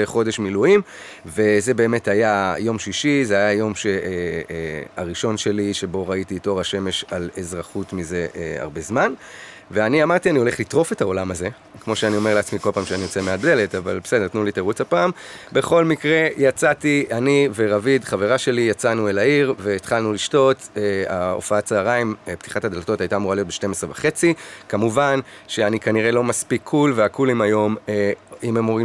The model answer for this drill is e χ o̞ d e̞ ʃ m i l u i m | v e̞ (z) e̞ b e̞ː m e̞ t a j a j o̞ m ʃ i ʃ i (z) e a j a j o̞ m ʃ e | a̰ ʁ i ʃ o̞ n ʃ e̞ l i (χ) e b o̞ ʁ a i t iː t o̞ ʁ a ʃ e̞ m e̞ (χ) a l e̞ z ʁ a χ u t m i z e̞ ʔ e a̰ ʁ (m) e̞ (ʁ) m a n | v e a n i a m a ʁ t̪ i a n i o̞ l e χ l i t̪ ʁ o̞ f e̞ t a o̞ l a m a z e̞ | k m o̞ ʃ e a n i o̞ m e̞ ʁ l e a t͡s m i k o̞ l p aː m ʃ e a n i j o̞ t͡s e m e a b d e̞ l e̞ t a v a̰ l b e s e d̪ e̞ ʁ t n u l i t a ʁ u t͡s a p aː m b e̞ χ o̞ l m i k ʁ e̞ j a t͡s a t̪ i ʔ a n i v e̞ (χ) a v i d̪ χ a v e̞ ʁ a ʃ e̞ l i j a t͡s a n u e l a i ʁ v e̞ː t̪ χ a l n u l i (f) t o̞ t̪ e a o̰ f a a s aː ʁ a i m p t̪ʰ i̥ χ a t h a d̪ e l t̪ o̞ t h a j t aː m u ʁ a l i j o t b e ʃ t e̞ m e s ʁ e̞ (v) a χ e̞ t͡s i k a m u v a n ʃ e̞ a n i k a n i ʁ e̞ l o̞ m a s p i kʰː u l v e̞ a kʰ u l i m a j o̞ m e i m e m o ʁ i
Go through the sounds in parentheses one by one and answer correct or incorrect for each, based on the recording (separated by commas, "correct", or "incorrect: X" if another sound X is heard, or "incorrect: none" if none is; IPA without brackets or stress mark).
correct, correct, incorrect: ʃ, incorrect: ʃ, incorrect: b, incorrect: z, incorrect: ʁ, incorrect: ʃ, correct